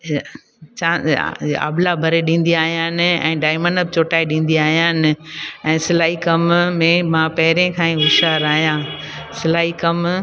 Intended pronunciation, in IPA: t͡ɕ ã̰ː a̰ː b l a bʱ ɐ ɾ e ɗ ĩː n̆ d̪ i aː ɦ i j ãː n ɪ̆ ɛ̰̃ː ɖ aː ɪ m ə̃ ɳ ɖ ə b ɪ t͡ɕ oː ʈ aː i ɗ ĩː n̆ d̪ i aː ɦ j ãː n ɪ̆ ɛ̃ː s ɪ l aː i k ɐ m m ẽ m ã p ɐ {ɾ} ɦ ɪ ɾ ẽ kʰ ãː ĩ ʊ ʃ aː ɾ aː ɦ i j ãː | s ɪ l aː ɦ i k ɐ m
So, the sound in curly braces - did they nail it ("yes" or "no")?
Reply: no